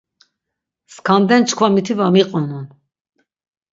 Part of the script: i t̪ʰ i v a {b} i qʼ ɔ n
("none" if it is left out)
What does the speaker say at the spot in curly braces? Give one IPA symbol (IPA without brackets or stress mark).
m